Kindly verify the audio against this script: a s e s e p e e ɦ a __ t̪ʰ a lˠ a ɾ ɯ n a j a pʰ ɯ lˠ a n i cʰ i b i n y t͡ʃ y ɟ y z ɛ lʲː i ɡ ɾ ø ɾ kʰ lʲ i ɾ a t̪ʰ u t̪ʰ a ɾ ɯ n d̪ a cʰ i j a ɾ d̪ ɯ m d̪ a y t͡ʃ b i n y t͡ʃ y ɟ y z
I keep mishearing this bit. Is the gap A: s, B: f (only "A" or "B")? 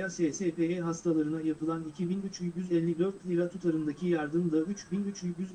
A